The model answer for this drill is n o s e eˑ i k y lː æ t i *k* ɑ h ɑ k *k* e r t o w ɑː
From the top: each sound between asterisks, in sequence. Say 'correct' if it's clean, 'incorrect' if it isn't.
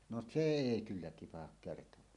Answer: incorrect: p, correct

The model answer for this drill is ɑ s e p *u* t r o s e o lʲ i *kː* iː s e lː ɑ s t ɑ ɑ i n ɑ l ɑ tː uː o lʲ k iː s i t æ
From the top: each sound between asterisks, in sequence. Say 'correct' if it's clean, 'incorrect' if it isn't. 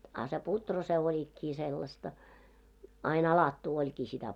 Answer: correct, correct

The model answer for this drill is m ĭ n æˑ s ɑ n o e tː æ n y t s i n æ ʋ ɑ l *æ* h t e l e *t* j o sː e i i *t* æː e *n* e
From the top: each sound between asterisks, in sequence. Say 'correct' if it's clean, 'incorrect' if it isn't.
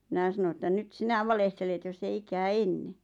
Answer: incorrect: e, correct, incorrect: k, incorrect: nː

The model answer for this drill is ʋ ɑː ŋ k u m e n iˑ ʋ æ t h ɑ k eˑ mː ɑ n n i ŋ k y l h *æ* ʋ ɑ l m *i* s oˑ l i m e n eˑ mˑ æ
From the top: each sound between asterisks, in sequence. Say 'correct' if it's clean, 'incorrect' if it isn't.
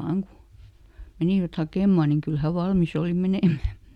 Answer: correct, correct

